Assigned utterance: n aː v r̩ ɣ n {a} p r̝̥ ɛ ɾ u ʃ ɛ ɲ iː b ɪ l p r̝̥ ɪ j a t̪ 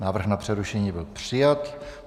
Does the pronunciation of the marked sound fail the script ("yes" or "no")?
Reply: no